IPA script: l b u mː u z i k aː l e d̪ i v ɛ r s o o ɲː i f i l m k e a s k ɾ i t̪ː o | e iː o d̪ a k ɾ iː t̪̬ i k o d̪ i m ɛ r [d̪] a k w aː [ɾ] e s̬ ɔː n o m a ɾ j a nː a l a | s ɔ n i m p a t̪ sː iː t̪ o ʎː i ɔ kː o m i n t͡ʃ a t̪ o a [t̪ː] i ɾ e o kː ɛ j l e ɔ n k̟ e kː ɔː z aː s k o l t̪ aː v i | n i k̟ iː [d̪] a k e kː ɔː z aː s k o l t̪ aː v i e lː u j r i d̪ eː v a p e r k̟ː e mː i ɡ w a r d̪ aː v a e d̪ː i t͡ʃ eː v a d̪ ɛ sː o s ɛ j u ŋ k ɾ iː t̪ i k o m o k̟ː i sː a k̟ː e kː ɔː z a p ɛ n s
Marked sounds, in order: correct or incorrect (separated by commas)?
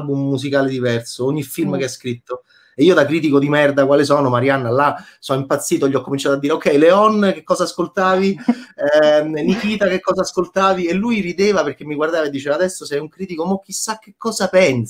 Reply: correct, incorrect, incorrect, incorrect